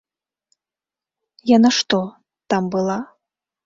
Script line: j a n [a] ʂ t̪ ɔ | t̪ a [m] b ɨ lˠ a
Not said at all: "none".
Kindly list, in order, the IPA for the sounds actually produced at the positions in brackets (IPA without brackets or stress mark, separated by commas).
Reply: a, m